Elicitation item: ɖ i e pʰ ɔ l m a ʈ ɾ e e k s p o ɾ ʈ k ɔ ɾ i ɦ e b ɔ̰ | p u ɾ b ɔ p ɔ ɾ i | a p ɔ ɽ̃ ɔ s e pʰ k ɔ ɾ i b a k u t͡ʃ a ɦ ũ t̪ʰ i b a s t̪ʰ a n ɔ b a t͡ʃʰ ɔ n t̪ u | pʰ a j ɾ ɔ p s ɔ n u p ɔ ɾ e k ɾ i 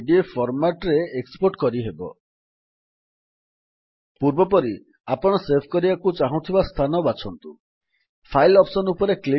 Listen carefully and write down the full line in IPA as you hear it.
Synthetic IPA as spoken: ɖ i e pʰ ɔ ɾ m a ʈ ɾ e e k s p o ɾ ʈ k ɔ ɾ i ɦ e b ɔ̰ | p u ɾ b ɔ p ɔ ɾ i | a p ɔ ɽ̃ ɔ s e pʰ k ɔ ɾ i b a k u t͡ʃ a ɦ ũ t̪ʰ i b a s t̪ʰ a n ɔ b a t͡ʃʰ ɔ n t̪ u | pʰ a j l ɔ p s ɔ n u p ɔ ɾ e k l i

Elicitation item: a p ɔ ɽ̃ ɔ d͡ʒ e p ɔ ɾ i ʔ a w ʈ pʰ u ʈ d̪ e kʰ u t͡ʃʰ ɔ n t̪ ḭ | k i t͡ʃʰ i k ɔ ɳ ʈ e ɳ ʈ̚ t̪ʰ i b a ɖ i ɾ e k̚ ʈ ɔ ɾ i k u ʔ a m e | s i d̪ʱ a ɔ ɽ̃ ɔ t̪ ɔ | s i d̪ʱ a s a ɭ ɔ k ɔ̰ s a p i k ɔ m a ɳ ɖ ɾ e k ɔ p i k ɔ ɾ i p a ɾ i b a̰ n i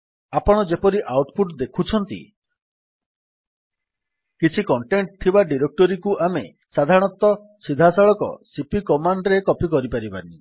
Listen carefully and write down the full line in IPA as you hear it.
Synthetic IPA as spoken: a p ɔ ɽ̃ ɔ d͡ʒ e p ɔ ɾ i ʔ a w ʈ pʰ u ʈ d̪ e kʰ u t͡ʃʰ ɔ n t̪ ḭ | k i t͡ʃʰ i k ɔ ɳ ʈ e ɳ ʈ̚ t̪ʰ i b a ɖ i ɾ e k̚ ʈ ɔ ɾ i k u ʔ a m e | s a d̪ʱ a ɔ ɽ̃ ɔ t̪ ɔ | s i d̪ʱ a s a ɭ ɔ k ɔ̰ s i p i k ɔ m a ɳ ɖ ɾ e k ɔ p i k ɔ ɾ i p a ɾ i b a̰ n i

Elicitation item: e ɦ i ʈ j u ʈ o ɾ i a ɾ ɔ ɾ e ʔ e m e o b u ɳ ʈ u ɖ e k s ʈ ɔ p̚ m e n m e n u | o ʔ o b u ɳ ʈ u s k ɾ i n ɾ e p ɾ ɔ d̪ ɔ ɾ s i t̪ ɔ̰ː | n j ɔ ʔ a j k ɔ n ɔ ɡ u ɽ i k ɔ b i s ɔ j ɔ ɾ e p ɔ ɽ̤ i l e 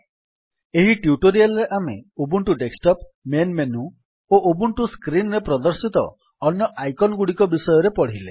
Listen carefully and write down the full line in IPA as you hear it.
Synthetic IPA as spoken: e ɦ i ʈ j u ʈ o ɾ i a l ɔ ɾ e ʔ a m e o b u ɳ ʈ u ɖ e k s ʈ ɔ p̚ m e n m e n u | o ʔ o b u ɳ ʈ u s k ɾ i n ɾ e p ɾ ɔ d̪ ɔ ɾ s i t̪ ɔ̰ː | n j ɔ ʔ a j k ɔ n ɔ ɡ u ɽ i k ɔ b i s ɔ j ɔ ɾ e p ɔ ɽ̤ i l e

